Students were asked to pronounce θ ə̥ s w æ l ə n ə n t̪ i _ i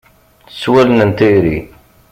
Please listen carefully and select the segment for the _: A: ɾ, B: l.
A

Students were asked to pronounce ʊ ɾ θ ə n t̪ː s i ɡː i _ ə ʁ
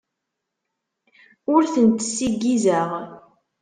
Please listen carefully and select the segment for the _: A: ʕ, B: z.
B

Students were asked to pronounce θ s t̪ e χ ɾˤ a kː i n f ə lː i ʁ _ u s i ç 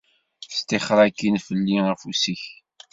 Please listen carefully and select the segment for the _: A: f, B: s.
A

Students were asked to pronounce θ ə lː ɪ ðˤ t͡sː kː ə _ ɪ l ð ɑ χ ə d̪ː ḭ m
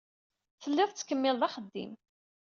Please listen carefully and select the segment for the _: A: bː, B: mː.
B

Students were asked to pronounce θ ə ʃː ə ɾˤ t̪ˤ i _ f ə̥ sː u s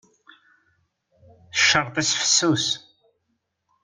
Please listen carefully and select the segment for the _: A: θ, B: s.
B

